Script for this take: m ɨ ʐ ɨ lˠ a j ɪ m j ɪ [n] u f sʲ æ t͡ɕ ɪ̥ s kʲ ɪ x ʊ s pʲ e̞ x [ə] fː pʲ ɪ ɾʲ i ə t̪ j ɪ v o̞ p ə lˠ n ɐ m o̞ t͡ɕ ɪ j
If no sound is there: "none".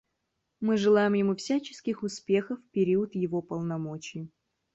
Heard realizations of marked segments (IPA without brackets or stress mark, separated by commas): m, ə